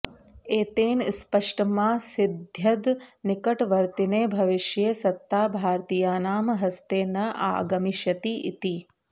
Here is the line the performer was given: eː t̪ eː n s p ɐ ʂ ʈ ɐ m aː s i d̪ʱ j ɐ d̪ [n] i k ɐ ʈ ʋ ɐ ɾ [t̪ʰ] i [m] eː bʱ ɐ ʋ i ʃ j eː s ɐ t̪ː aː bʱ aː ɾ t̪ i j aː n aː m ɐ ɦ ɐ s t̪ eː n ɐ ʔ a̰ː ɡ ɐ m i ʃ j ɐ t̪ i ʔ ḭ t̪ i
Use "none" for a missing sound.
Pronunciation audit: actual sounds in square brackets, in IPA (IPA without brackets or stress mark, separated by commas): n, t̪, n